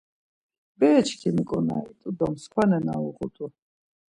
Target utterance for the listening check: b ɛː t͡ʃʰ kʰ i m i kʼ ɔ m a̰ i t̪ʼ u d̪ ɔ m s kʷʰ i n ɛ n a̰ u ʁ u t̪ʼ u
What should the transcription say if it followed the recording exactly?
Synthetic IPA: b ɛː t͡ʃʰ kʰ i m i kʼ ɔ n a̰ i t̪ʼ u d̪ ɔ m s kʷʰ a n ɛ n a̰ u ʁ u t̪ʼ u

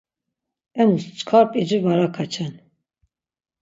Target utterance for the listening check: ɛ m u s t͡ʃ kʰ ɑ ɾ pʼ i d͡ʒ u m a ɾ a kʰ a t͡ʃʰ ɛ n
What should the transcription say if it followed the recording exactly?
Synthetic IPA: ɛ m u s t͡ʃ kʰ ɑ ɾ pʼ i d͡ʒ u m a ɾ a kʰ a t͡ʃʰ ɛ n

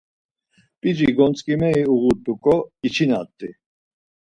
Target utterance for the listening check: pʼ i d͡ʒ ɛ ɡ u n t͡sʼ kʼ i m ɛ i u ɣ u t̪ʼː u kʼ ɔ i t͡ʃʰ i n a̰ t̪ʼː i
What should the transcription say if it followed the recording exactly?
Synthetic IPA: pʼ i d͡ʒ i ɡ ɔ n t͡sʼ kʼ i m ɛ i u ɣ u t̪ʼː u kʼ ɔ i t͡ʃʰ i n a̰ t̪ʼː i

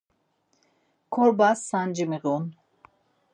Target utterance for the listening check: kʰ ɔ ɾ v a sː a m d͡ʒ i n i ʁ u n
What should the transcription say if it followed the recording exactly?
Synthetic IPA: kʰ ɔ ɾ b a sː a n d͡ʒ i m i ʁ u n

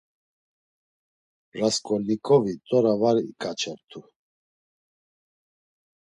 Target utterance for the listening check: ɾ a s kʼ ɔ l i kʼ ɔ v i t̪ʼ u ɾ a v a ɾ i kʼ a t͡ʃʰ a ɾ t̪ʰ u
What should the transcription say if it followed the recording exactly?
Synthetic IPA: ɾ a s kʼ ɔ l i kʼ ɔ v i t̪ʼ ɔ ɾ a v a ɾ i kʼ a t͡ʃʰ ɛ ɾ t̪ʰ u

